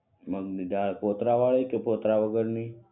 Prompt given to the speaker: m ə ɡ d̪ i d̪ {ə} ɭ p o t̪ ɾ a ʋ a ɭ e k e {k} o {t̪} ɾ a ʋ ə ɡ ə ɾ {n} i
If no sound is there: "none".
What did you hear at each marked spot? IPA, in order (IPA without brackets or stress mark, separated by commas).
a, p, t̪, n